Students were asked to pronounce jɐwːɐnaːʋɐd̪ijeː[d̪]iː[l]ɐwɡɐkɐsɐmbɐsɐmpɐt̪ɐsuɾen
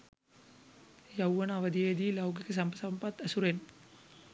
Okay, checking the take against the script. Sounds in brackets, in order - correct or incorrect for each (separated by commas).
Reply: correct, correct